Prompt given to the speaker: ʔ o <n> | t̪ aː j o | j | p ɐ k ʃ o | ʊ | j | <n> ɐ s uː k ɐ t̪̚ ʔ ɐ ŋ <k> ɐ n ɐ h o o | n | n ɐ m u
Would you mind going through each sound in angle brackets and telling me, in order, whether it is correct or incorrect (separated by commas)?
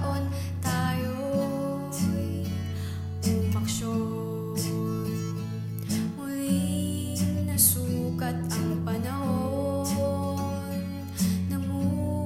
correct, correct, incorrect